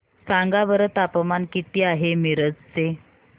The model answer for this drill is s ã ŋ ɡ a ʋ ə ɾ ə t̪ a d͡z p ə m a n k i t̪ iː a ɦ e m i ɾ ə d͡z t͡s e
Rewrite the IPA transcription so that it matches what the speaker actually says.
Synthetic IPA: s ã ŋ ɡ a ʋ ə ɾ ə t̪ a p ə m a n k i t̪ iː a ɦ e m i ɾ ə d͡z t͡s e